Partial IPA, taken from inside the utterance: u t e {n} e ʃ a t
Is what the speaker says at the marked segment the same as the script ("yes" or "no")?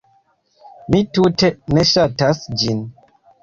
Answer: yes